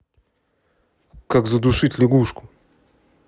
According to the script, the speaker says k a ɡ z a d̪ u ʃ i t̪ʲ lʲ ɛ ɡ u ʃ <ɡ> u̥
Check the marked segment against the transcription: incorrect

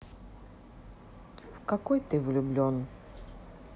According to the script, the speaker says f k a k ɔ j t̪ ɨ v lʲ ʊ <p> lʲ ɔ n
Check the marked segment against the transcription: incorrect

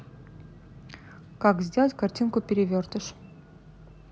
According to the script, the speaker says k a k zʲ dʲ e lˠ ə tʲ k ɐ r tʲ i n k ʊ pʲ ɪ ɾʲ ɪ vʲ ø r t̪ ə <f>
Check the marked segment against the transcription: incorrect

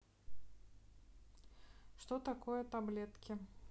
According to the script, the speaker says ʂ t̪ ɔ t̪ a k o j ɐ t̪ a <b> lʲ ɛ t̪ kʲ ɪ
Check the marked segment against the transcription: correct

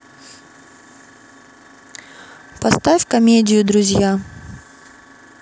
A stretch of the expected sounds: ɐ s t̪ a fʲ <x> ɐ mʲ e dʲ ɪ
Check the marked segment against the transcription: incorrect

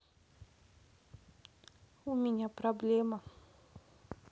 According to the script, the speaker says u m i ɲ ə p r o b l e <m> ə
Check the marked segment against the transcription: correct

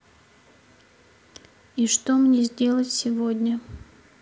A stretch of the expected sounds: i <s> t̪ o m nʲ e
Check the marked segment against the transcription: incorrect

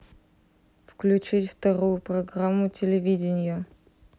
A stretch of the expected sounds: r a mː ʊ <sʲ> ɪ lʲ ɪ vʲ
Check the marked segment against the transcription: incorrect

